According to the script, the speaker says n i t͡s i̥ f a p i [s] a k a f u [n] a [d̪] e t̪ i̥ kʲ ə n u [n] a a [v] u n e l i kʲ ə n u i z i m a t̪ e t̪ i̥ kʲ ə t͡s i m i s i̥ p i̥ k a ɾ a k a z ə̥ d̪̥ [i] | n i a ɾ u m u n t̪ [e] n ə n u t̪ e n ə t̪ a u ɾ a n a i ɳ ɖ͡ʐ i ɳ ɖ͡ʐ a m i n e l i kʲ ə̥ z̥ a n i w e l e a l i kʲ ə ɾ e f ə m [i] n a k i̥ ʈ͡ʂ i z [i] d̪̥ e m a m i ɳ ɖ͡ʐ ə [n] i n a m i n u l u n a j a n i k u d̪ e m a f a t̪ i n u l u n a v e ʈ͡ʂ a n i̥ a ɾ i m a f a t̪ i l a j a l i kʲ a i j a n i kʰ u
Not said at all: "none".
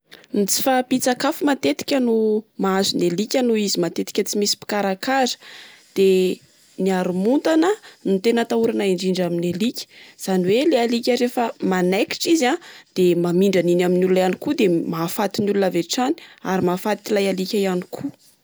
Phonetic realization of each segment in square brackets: t͡s, m, t̪, m, z, e, a, a, a, n

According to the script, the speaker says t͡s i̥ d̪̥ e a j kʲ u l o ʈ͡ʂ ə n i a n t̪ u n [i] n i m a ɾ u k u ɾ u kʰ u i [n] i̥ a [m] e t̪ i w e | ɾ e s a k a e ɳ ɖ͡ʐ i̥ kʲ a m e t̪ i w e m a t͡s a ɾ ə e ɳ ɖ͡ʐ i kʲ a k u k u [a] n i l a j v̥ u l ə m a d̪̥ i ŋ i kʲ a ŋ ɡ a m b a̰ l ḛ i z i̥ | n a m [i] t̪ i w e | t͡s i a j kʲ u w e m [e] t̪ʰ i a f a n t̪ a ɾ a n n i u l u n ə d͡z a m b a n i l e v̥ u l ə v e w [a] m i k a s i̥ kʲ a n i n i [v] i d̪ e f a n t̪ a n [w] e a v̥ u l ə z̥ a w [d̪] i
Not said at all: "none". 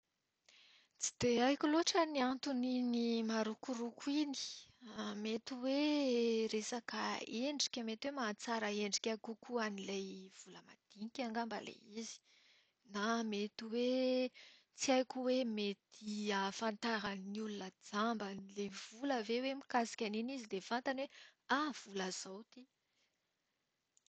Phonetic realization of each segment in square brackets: i, n, m, a, e, e, e, z, w, t̪

